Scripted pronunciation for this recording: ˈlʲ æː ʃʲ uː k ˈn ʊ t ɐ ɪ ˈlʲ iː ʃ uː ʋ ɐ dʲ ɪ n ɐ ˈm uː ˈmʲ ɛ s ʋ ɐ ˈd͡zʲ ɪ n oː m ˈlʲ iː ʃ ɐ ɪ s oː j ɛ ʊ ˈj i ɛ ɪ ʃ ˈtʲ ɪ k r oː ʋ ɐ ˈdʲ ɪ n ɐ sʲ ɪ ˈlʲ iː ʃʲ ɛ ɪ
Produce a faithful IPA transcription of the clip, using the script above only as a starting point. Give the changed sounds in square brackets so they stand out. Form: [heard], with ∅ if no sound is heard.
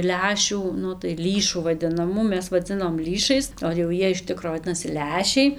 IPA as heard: ˈlʲ æː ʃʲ uː [∅] ˈn ʊ t ɐ ɪ ˈlʲ iː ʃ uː ʋ ɐ dʲ ɪ n ɐ ˈm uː ˈmʲ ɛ s ʋ ɐ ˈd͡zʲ ɪ n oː m ˈlʲ iː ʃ ɐ ɪ s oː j ɛ ʊ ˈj i ɛ ɪ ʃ ˈtʲ ɪ k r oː ʋ ɐ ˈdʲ ɪ n ɐ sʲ ɪ ˈlʲ [æː] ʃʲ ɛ ɪ